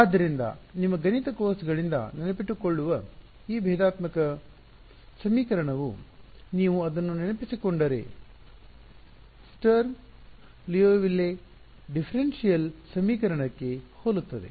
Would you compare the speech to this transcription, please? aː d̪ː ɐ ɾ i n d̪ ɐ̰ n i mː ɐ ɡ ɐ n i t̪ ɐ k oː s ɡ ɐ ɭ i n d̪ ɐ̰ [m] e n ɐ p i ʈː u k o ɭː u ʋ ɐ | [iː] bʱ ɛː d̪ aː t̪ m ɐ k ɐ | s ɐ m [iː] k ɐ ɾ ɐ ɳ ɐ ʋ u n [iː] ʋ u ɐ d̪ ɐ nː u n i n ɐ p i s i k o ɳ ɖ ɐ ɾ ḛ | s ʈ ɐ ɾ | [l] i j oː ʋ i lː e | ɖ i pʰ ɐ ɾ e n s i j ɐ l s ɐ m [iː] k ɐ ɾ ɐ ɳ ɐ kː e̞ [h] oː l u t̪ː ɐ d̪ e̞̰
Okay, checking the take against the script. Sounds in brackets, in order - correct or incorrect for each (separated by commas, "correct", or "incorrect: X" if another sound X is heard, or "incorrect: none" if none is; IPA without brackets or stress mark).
incorrect: n, correct, correct, correct, correct, correct, correct